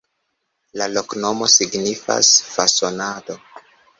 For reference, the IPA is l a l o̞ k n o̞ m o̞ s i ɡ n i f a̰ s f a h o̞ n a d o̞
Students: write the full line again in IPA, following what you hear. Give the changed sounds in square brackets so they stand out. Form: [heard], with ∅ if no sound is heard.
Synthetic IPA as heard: l a l o̞ k n o̞ m o̞ s i ɡ n i f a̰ s f a [s] o̞ n a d o̞